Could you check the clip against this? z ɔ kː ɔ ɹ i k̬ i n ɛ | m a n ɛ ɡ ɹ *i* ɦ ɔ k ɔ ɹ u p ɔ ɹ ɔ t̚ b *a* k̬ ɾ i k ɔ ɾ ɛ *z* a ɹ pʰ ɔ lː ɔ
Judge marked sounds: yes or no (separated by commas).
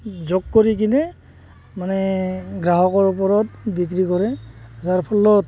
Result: no, no, yes